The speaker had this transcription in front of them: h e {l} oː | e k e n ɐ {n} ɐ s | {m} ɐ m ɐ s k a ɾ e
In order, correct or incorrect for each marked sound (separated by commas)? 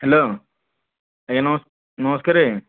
correct, incorrect, incorrect